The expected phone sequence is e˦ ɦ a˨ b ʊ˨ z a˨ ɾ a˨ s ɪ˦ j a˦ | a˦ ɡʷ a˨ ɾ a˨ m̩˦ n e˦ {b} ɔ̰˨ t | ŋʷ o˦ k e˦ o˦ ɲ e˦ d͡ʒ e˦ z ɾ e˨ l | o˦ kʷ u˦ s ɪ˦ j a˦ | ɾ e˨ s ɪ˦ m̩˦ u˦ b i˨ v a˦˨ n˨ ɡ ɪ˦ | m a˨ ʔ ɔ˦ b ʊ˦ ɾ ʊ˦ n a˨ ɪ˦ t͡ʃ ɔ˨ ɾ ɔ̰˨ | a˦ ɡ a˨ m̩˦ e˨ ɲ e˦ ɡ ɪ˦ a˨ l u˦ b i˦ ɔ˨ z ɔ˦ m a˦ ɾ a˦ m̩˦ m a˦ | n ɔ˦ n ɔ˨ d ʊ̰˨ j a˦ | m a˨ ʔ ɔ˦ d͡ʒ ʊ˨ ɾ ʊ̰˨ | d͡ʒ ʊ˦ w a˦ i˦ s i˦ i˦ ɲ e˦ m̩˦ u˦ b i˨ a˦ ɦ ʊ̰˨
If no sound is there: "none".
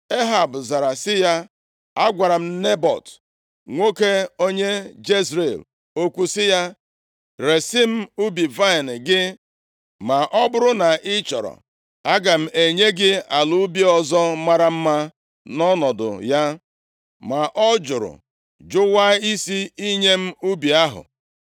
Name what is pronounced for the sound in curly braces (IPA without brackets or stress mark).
b